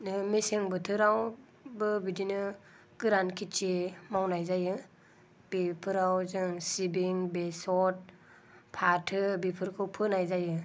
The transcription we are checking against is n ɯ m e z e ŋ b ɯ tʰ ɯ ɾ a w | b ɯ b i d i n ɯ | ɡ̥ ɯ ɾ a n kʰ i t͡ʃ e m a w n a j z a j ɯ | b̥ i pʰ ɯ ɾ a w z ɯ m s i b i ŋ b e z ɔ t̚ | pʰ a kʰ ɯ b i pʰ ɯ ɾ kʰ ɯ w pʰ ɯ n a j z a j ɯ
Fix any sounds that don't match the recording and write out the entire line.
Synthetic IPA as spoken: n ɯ m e s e ŋ b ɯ tʰ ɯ ɾ a w | b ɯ b i d i n ɯ | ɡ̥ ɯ ɾ a n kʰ i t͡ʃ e m a w n a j z a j ɯ | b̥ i pʰ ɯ ɾ a w z ɯ ŋ s i b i ŋ b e s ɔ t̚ | pʰ a tʰ ɯ b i pʰ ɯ ɾ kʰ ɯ w pʰ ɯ n a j z a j ɯ